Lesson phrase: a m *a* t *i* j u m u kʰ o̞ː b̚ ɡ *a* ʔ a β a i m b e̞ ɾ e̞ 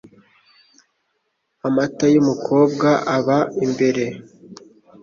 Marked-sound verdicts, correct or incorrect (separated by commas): correct, incorrect, correct